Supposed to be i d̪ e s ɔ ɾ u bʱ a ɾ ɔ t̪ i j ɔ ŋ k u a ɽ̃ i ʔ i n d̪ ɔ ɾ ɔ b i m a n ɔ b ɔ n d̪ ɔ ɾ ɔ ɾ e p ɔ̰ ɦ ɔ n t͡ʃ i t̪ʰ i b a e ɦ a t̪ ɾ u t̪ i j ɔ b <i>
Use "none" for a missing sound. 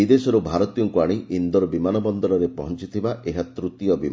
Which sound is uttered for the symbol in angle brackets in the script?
i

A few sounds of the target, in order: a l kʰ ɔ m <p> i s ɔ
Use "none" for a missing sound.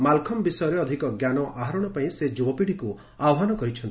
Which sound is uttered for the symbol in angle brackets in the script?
b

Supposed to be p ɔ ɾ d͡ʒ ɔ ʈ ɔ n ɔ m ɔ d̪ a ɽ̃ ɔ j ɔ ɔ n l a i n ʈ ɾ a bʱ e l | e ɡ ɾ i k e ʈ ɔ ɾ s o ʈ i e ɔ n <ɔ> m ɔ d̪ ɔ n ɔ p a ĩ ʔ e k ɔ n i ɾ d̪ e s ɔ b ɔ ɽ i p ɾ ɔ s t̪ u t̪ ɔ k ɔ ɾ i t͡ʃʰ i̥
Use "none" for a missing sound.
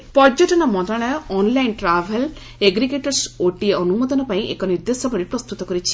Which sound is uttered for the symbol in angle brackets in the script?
u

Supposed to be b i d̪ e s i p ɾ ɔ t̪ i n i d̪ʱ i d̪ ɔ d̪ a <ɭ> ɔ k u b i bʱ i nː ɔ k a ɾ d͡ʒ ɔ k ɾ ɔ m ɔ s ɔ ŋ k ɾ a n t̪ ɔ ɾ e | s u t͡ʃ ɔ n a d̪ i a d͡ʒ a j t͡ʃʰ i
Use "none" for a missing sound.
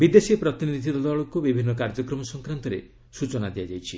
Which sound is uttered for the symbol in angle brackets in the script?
ɭ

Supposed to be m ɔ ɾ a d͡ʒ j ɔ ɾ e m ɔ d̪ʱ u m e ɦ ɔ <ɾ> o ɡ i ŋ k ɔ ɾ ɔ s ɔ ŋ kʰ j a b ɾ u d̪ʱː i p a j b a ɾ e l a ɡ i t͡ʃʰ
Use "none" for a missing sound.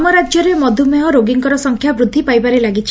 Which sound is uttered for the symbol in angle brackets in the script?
ɾ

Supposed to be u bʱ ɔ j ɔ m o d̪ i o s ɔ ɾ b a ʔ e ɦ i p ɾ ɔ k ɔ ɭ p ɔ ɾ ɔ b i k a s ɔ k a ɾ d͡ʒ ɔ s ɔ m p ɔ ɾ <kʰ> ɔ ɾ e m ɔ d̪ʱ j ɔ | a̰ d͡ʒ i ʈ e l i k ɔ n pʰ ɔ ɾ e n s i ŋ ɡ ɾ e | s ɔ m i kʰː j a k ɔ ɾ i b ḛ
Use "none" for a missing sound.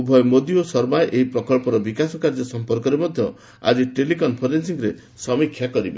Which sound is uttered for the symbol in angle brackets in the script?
k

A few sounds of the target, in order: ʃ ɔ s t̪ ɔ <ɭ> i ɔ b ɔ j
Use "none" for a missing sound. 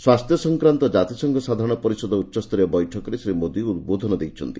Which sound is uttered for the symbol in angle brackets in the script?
ɾ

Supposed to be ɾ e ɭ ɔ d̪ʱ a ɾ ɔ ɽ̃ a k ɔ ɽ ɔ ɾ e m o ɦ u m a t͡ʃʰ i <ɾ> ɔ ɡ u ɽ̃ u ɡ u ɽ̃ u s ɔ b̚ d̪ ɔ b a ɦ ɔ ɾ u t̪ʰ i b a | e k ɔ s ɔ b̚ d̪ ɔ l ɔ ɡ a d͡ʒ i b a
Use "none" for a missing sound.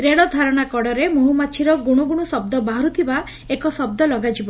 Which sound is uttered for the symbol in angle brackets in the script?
ɾ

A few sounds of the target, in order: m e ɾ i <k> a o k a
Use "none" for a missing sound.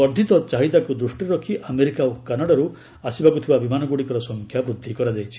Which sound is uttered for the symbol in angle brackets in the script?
k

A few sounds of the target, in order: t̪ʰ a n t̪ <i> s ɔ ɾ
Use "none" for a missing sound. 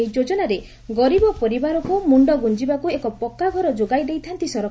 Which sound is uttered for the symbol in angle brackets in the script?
i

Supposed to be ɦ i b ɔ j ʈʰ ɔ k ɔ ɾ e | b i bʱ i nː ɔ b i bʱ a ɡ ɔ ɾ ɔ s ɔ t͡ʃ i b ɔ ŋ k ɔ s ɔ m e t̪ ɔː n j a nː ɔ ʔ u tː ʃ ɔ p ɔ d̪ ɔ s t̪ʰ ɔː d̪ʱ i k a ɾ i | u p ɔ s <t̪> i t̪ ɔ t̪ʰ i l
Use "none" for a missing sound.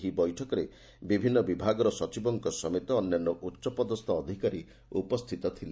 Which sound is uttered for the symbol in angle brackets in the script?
t̪ʰ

